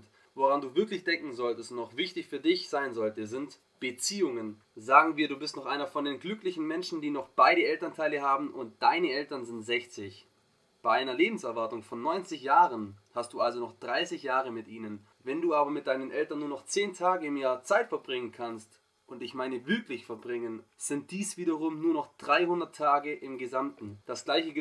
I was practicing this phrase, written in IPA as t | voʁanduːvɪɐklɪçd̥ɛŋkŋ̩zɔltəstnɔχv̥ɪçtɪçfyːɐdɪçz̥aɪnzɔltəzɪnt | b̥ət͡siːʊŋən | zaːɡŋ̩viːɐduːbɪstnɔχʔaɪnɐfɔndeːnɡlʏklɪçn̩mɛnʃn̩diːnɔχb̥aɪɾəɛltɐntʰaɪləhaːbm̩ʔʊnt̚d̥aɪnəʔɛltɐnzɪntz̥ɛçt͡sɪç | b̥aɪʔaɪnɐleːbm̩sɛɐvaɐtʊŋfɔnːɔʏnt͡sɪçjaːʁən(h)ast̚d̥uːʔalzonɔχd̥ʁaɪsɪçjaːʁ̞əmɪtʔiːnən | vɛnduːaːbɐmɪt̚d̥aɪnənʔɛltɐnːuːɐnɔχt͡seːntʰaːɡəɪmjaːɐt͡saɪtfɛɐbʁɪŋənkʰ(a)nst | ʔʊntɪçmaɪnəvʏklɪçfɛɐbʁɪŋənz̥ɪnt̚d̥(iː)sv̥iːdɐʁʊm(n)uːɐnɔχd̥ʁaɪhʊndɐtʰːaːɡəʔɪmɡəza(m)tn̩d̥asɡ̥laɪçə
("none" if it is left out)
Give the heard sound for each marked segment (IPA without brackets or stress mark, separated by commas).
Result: h, a, iː, n, m